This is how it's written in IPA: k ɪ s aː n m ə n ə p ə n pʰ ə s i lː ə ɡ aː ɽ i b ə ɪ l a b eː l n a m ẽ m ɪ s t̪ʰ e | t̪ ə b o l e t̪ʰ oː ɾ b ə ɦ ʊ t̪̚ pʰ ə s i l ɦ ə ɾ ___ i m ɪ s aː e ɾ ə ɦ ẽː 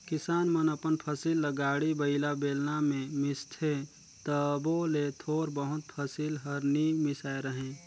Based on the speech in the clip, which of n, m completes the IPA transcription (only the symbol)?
n